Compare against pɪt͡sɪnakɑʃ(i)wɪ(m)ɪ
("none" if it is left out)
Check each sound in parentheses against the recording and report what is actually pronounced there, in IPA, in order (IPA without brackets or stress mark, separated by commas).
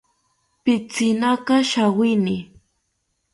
a, n